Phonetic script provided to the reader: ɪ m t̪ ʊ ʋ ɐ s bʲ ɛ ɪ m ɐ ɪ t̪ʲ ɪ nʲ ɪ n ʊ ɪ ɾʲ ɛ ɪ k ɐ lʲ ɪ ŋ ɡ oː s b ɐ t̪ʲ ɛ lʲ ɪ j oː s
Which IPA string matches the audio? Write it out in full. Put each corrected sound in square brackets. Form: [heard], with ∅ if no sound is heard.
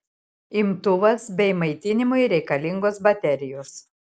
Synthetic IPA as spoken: ɪ m t̪ ʊ ʋ ɐ s bʲ ɛ ɪ m ɐ ɪ t̪ʲ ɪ nʲ ɪ [m] ʊ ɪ ɾʲ ɛ ɪ k ɐ lʲ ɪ ŋ ɡ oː s b ɐ t̪ʲ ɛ [ɾʲ] ɪ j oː s